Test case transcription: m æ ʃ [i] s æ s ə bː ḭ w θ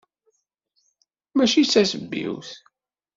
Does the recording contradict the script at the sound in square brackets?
no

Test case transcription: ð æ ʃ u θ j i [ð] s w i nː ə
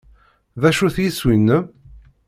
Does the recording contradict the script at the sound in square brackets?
yes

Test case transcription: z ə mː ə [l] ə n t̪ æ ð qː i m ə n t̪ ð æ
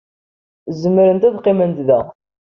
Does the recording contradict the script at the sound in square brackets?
yes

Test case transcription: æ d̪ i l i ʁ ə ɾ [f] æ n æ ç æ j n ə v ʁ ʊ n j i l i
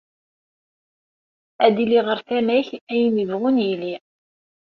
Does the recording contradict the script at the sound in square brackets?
yes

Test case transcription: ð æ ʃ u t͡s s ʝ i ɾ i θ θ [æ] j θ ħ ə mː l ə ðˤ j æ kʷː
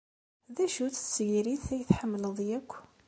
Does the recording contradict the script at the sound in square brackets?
no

